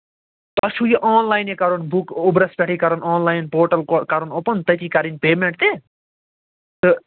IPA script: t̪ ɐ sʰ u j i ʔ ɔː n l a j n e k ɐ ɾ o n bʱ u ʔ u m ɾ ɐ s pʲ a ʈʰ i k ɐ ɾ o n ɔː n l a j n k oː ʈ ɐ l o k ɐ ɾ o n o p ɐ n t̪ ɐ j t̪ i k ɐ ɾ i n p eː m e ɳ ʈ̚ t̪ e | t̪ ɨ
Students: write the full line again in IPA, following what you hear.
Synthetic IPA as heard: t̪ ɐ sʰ u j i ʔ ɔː n l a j n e k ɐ ɾ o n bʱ u k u b ɾ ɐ s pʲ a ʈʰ i k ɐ ɾ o n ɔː n l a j n p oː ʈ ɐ l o k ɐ ɾ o n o p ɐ n t̪ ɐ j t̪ i k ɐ ɾ i n p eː m e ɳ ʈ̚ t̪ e | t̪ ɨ